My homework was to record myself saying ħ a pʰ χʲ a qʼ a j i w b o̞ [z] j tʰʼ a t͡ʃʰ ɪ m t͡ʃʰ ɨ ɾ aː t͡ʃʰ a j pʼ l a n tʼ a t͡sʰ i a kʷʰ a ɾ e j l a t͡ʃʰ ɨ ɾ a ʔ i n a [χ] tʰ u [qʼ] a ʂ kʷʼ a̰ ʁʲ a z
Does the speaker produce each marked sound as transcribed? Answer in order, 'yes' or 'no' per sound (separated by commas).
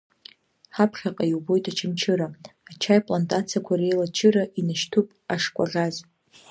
no, no, no